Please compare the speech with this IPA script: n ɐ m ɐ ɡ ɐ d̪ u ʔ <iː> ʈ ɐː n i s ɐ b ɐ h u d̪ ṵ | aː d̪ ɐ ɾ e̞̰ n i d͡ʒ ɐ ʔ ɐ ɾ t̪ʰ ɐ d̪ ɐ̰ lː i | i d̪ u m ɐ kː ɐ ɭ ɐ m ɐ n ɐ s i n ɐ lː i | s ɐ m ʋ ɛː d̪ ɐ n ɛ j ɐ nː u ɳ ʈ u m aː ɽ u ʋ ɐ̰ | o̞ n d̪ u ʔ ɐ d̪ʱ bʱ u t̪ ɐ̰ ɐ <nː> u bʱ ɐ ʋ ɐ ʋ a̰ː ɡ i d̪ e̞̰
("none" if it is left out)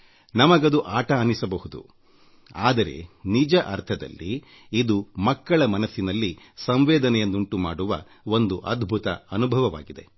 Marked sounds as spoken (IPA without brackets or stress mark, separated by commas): aː, n